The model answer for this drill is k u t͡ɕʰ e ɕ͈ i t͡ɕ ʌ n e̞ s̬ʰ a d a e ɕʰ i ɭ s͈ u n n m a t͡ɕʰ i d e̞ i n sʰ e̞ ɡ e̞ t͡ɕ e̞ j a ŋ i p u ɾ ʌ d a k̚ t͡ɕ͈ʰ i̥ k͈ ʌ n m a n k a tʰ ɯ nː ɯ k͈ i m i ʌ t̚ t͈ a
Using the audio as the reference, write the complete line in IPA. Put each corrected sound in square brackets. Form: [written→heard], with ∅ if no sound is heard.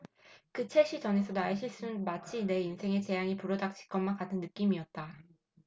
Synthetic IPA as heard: k [u→ɯ] t͡ɕʰ e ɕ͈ i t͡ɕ ʌ n e̞ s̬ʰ [a→ʌ] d a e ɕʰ i ɭ s͈ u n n m a t͡ɕʰ i [d→n] e̞ i n sʰ e̞ [ɡ→ŋ] e̞ t͡ɕ e̞ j a ŋ i p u ɾ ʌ d a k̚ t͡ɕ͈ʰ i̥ k͈ ʌ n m a n k a tʰ ɯ nː ɯ k͈ i m i ʌ t̚ t͈ a